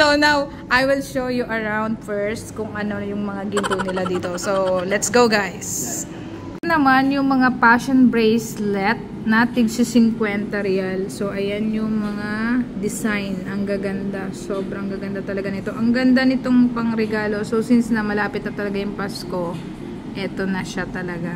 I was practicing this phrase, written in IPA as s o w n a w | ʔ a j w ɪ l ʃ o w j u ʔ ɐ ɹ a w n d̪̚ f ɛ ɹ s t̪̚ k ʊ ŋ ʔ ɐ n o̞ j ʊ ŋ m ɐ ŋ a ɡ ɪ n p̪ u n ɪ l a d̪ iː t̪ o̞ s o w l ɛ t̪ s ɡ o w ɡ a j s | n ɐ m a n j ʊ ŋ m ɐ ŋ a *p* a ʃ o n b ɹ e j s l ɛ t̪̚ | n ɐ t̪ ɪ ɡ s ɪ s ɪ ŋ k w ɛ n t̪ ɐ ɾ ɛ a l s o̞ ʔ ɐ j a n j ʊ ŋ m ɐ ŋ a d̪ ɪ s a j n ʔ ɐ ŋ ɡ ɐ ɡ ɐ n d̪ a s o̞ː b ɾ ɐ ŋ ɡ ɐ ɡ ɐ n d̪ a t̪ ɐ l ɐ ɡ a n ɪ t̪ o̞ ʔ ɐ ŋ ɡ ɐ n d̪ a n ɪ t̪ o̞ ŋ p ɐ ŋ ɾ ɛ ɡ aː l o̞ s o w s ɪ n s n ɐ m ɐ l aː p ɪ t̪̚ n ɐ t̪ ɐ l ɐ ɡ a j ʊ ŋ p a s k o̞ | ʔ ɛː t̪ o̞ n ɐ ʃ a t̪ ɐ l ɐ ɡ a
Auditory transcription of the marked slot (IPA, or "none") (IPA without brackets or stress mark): p